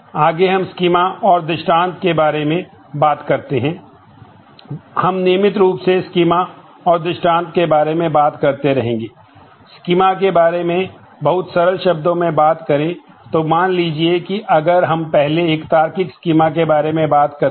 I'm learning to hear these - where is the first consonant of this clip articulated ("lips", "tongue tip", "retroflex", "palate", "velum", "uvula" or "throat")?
velum